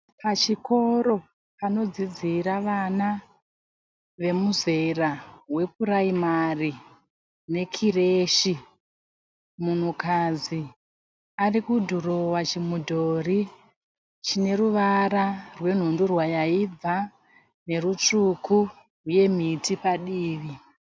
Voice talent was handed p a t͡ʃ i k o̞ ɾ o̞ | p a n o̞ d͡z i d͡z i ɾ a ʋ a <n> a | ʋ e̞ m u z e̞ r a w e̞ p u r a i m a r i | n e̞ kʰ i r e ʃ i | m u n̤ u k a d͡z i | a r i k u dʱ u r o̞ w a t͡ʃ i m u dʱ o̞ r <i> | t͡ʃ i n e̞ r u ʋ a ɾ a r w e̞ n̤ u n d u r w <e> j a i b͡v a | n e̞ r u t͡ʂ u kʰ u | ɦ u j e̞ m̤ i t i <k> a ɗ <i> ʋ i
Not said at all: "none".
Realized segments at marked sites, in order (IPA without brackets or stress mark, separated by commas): n, i, a, p, iː